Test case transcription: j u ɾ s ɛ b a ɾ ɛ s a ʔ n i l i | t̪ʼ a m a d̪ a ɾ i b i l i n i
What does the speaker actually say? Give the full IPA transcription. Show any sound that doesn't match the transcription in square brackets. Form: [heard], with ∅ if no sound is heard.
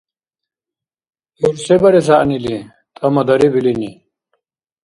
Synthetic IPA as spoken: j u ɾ s ɛ b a ɾ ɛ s a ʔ n i l i | t̪ʼ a m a d̪ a ɾ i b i l i n i